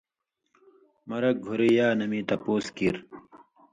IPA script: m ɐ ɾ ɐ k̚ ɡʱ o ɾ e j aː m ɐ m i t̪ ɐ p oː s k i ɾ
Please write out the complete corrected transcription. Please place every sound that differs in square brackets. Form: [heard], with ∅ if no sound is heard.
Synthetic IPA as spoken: m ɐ ɾ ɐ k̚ ɡʱ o ɾ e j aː [n] ɐ m i t̪ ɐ p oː s k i ɾ